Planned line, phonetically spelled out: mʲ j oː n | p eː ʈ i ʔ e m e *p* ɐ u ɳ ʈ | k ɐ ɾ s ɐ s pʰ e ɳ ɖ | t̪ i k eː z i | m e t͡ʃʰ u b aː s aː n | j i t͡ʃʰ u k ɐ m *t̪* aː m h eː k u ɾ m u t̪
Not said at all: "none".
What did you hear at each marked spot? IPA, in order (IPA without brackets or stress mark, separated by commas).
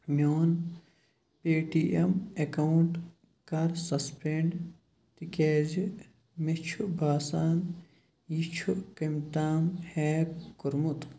k, t̪